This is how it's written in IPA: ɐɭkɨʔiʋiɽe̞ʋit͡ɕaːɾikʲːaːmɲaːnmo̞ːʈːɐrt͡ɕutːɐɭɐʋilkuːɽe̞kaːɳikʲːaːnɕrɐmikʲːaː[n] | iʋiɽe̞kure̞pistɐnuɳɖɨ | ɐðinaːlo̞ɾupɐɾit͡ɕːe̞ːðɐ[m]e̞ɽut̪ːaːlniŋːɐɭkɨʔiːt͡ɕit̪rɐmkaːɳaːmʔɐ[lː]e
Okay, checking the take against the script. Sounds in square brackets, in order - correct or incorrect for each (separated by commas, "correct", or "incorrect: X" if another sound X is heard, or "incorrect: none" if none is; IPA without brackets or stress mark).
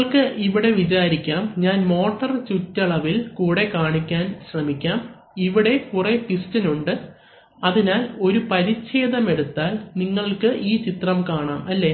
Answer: incorrect: m, correct, correct